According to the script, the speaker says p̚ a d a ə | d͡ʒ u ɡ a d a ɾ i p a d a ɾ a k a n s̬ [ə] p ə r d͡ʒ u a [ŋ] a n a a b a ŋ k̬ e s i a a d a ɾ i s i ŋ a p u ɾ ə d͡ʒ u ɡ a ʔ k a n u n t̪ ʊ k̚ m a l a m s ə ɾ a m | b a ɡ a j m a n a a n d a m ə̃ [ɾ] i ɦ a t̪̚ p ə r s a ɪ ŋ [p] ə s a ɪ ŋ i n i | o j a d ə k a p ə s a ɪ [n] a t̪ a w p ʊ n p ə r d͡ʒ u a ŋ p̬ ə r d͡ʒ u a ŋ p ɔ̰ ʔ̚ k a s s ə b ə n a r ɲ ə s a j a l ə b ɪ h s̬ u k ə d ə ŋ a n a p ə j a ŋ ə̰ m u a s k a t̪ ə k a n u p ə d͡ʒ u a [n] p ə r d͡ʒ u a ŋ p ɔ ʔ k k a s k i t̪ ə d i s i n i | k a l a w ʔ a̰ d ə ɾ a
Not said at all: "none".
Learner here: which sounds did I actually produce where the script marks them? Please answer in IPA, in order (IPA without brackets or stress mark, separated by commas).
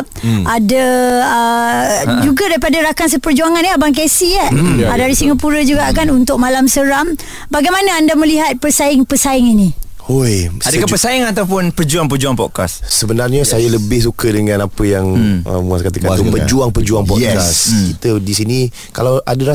ə, ŋ, l, p, ŋ, ŋ